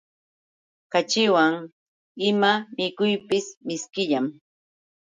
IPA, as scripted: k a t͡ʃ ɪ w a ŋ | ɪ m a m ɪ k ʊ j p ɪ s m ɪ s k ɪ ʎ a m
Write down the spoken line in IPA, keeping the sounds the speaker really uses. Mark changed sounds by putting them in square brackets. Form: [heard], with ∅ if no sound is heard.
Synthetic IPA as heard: k a t͡ʃ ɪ w a ŋ | ɪ m a m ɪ k ʊ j p ɪ s m ɪ s k ɪ ʎ a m